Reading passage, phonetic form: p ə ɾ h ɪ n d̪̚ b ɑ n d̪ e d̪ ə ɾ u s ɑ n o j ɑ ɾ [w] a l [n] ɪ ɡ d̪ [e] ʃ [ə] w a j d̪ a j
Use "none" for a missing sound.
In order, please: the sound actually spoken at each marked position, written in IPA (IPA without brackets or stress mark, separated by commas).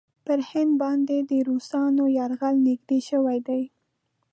ɣ, n, e, ə